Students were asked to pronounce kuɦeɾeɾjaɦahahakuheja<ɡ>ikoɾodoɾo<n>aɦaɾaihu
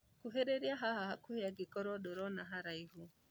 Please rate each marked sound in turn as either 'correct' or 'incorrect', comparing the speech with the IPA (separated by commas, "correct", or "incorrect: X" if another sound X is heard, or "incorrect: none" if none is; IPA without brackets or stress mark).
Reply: correct, correct